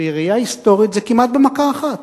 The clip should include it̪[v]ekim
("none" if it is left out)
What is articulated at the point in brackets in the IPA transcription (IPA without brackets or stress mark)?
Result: z